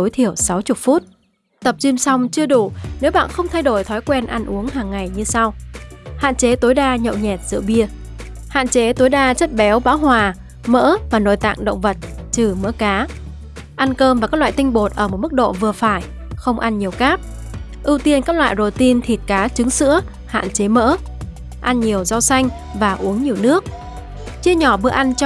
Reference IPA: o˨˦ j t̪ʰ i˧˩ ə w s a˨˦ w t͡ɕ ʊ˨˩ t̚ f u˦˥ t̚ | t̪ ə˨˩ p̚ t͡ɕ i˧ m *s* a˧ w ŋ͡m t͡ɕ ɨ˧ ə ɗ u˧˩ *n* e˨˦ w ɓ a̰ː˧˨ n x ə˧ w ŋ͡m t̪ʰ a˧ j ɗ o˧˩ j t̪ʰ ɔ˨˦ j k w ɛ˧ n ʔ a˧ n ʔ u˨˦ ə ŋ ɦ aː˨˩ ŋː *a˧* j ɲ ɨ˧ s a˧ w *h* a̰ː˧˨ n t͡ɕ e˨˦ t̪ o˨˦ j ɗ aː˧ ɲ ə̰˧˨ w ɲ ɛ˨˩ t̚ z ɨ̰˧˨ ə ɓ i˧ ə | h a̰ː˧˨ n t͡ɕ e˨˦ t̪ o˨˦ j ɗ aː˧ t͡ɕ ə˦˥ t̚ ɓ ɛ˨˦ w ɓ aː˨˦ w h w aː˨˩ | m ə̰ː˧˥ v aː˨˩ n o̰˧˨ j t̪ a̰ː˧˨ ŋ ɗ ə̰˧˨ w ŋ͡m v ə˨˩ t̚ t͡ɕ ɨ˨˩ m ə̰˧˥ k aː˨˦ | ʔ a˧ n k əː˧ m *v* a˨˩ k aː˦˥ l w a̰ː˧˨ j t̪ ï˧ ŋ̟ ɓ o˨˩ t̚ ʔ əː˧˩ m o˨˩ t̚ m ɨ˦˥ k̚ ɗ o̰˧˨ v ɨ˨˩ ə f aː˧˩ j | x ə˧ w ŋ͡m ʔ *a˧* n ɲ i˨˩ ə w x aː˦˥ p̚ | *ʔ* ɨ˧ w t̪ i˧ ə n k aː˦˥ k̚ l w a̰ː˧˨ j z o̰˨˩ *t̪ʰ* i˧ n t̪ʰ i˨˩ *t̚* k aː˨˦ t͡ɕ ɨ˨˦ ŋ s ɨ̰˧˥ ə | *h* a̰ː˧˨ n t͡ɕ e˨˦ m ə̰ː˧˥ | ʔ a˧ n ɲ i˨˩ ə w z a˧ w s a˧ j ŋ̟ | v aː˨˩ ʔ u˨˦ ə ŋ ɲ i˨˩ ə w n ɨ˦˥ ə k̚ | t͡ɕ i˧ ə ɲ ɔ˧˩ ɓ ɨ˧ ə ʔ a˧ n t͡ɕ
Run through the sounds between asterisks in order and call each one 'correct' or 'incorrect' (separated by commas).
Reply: correct, correct, incorrect, correct, correct, correct, correct, incorrect, correct, correct